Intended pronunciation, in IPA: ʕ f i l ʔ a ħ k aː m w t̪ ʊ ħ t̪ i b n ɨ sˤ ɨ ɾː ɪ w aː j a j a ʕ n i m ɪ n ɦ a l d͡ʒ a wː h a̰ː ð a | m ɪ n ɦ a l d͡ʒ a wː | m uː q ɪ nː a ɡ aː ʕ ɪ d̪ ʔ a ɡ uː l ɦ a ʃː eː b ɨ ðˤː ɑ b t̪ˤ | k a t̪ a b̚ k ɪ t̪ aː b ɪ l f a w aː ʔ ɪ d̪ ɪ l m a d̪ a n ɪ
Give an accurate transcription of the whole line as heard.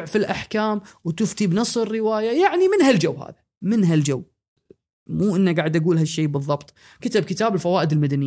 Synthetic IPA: ʕ f i l ʔ a ħ k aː m w t̪ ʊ f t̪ i b n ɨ sˤ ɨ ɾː ɪ w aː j a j a ʕ n i m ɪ n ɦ a l d͡ʒ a wː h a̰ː ð a | m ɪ n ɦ a l d͡ʒ a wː | m uː ʔ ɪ nː a ɡ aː ʕ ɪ d̪ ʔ a ɡ uː l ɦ a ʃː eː b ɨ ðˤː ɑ b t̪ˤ | k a t̪ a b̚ k ɪ t̪ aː b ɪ l f a w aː ʔ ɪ d̪ ɪ l m a d̪ a n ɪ